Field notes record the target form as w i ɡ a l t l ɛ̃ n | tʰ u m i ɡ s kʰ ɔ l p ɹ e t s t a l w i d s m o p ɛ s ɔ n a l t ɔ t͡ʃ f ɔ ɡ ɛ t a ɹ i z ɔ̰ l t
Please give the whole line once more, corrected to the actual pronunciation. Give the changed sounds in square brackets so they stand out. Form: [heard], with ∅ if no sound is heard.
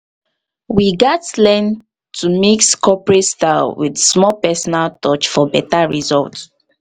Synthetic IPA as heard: w i ɡ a [∅] t l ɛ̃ n | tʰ u m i [k] s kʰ ɔ [∅] p ɹ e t s t a l w i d s m [ɔ] p ɛ s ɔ n a l t ɔ t͡ʃ f ɔ [b] ɛ t a ɹ i z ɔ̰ l t